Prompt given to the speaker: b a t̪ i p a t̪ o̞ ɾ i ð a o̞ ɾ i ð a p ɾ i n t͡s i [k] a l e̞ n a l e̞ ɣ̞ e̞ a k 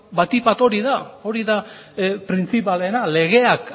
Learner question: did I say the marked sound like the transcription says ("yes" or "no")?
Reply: no